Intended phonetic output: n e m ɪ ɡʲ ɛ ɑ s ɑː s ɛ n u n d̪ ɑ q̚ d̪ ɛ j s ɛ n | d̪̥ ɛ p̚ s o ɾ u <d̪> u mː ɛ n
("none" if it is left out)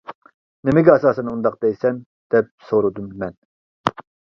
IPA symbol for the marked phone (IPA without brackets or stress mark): d̪